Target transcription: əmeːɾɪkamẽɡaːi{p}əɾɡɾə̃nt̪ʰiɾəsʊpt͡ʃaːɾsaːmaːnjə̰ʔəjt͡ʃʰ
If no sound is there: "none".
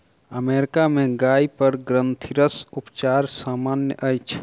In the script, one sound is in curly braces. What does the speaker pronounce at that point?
p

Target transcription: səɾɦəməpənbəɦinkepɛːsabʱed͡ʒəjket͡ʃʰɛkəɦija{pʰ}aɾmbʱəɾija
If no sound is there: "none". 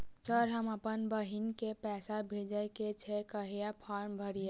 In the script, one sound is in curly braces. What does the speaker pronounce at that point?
pʰ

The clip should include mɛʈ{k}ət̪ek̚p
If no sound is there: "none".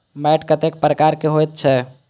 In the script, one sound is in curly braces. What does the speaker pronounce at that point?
k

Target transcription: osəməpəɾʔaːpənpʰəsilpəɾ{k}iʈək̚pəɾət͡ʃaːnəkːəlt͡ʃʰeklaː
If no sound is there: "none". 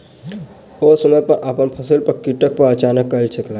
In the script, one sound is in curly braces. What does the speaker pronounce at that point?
k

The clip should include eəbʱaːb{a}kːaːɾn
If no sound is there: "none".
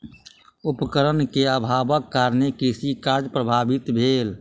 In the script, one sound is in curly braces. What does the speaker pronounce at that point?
ə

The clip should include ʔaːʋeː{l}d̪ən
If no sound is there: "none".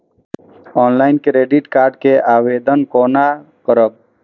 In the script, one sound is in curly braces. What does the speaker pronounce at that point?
none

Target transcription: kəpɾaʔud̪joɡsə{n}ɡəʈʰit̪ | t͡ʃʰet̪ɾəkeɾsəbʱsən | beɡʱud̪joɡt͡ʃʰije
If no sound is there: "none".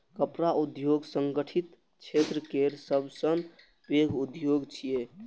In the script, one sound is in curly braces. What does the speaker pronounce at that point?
ŋ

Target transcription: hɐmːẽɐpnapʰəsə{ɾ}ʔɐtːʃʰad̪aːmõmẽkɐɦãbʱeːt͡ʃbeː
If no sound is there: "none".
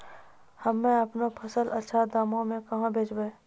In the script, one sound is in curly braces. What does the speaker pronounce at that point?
l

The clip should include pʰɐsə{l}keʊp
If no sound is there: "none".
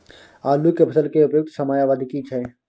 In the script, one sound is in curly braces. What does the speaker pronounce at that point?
l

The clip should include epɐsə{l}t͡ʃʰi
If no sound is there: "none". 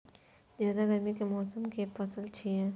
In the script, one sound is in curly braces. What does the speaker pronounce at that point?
l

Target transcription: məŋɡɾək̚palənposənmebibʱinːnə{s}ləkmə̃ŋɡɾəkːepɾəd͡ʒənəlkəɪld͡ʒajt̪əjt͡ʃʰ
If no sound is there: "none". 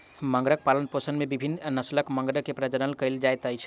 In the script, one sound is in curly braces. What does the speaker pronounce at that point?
s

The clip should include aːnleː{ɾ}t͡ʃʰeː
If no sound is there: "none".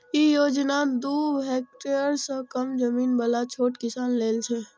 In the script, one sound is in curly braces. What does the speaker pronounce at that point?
l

